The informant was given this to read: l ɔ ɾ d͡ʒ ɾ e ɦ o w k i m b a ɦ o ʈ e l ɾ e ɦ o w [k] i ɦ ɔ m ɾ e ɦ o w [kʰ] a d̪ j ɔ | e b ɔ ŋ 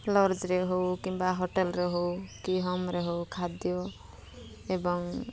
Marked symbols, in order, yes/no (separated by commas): yes, yes